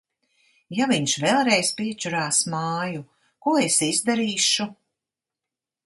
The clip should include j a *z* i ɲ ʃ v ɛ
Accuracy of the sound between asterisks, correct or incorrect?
incorrect